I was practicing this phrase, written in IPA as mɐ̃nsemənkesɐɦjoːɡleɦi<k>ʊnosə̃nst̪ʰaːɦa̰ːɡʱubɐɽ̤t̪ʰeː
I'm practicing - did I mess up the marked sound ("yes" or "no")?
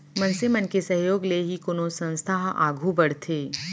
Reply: no